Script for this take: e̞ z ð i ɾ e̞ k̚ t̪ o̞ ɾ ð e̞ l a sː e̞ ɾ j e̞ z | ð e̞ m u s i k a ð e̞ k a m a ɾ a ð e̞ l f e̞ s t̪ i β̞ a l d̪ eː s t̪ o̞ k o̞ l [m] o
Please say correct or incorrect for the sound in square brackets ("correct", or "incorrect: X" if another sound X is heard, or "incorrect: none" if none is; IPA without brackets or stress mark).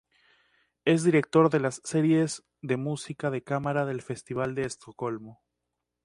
correct